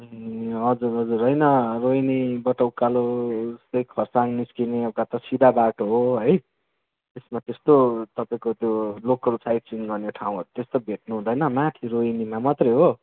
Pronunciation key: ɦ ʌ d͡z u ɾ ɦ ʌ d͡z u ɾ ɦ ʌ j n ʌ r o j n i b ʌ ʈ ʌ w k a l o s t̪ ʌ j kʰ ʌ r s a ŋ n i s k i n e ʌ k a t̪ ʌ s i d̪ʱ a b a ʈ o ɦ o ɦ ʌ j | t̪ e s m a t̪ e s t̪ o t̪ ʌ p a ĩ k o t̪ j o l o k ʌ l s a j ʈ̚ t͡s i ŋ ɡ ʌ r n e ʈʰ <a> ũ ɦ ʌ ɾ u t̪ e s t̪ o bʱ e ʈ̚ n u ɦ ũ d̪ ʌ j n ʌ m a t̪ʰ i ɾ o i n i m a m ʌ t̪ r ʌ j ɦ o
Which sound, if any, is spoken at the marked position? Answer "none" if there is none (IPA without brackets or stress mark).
a